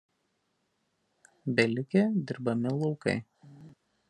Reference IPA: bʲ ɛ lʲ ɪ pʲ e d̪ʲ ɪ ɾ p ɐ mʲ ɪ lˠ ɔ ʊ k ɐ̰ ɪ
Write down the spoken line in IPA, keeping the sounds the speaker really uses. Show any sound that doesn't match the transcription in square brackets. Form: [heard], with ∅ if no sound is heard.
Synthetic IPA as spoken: bʲ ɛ lʲ ɪ [kʲ] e d̪ʲ ɪ ɾ [b] ɐ mʲ ɪ lˠ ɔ ʊ k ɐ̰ ɪ

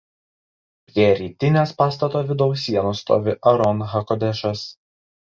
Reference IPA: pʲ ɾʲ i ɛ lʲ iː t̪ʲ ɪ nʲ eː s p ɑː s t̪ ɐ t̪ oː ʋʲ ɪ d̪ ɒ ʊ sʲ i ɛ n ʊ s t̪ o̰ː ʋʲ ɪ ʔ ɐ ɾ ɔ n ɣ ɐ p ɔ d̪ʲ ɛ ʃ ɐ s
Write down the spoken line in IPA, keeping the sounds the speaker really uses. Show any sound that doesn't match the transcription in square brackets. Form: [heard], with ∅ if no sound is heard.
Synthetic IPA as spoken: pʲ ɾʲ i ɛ [ɾʲ] iː t̪ʲ ɪ nʲ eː s p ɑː s t̪ ɐ t̪ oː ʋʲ ɪ d̪ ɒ ʊ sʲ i ɛ n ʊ s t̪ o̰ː ʋʲ ɪ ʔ ɐ ɾ ɔ n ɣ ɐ [k] ɔ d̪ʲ ɛ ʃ ɐ s

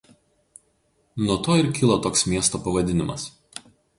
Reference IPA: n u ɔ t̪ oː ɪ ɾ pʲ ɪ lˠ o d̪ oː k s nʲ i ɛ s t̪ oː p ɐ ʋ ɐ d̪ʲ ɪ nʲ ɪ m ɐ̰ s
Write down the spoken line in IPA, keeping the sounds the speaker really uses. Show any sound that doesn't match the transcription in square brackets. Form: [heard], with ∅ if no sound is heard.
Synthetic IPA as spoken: n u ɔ t̪ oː ɪ ɾ [kʲ] ɪ lˠ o [t̪] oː k s [mʲ] i ɛ s t̪ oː p ɐ ʋ ɐ d̪ʲ ɪ nʲ ɪ m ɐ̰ s

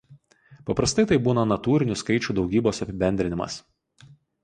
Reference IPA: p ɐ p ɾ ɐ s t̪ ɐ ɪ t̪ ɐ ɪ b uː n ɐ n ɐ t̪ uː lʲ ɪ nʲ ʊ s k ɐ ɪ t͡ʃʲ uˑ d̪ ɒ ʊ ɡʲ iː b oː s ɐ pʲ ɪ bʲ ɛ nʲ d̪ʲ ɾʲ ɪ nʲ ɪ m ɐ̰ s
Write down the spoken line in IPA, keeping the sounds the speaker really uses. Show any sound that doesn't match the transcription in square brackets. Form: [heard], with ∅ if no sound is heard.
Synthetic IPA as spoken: p ɐ p ɾ ɐ s t̪ ɐ ɪ t̪ ɐ ɪ b uː n ɐ n ɐ t̪ uː [ɾʲ] ɪ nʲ ʊ s k ɐ ɪ t͡ʃʲ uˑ d̪ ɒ ʊ ɡʲ iː b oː s ɐ pʲ ɪ bʲ ɛ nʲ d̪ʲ ɾʲ ɪ nʲ ɪ m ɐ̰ s

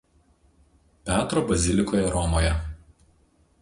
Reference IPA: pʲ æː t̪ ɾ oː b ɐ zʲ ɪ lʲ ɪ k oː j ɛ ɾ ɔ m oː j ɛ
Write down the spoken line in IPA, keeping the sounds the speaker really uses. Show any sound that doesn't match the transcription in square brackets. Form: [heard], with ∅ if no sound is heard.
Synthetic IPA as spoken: pʲ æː t̪ ɾ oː b ɐ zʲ ɪ lʲ ɪ k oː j ɛ ɾ ɔ m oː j ɛ

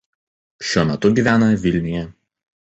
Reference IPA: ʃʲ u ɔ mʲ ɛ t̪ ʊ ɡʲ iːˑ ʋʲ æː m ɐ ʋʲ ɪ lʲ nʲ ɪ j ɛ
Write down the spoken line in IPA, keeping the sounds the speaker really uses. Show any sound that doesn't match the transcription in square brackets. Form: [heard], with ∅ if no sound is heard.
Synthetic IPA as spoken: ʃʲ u ɔ mʲ ɛ t̪ ʊ ɡʲ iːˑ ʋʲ æː [n] ɐ ʋʲ ɪ lʲ nʲ ɪ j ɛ

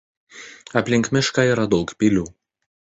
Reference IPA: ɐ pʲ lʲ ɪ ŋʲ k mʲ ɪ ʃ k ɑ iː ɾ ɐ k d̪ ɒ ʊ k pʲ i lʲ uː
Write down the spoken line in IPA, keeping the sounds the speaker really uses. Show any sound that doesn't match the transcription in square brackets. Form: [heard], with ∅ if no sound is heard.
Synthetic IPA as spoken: ɐ pʲ lʲ ɪ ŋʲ k mʲ ɪ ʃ k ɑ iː ɾ ɐ [∅] d̪ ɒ ʊ k pʲ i lʲ uː

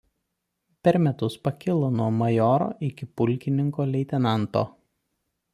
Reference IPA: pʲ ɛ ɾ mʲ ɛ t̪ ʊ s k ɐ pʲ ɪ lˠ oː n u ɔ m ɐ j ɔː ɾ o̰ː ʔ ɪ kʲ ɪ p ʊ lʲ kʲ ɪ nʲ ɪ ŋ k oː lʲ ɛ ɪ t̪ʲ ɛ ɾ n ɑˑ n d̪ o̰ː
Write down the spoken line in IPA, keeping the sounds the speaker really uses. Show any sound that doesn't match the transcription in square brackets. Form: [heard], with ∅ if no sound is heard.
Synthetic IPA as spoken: pʲ ɛ ɾ mʲ ɛ t̪ ʊ s [p] ɐ [kʲ] ɪ lˠ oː n u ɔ m ɐ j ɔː ɾ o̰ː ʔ ɪ kʲ ɪ p ʊ lʲ kʲ ɪ nʲ ɪ ŋ k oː lʲ ɛ ɪ t̪ʲ ɛ [∅] n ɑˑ n [t̪] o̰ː

